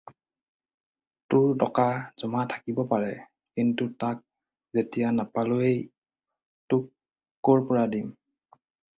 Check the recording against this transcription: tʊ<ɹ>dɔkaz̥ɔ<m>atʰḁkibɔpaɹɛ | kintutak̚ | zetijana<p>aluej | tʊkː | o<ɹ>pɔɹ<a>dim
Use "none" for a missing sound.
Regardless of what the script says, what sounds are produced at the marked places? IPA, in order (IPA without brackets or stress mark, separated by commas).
ɹ, m, p, ɹ, a